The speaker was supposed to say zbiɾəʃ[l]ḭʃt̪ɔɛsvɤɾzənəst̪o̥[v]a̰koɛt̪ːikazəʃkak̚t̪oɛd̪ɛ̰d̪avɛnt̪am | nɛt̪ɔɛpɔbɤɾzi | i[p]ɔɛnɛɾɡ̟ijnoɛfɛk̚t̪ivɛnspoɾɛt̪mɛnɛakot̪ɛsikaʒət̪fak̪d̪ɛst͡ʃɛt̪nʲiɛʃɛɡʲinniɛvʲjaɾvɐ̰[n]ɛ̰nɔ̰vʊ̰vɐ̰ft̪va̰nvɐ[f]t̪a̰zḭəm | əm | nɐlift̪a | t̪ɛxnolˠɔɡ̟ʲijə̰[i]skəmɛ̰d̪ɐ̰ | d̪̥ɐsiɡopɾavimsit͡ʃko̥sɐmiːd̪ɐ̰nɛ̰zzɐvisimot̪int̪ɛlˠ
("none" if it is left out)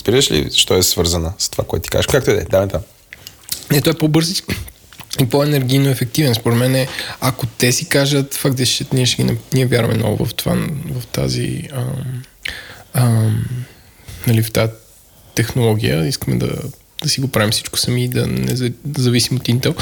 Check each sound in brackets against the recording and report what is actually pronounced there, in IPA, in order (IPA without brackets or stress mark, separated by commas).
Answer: l, v, p, m, f, i